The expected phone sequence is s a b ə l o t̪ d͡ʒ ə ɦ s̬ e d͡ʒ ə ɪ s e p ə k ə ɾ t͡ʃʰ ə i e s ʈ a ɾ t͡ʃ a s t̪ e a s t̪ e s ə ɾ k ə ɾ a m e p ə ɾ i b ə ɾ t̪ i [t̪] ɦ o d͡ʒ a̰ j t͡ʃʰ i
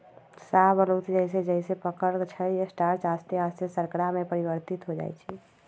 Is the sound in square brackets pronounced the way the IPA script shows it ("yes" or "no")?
yes